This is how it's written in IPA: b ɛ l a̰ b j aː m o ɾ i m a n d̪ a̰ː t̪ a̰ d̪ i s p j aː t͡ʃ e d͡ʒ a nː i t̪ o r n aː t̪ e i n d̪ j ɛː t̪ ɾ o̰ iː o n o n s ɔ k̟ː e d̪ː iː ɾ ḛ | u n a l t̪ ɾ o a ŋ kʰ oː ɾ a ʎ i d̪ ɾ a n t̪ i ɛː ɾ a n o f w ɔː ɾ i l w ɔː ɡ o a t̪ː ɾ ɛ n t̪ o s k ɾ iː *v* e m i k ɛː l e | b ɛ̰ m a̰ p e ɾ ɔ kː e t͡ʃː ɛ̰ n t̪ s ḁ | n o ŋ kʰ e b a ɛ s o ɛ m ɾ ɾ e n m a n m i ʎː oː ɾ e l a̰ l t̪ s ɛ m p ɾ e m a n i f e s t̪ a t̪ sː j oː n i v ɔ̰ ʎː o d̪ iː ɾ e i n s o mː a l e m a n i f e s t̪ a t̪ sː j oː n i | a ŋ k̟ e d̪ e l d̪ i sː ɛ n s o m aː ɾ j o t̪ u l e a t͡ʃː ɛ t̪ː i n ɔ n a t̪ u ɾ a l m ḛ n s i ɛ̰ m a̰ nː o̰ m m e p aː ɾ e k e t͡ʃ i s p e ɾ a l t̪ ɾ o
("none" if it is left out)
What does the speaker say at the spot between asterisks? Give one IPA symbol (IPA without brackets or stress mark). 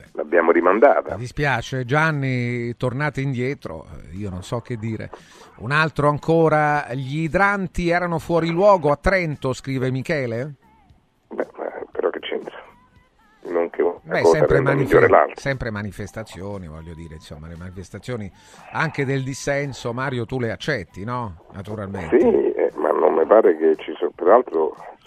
v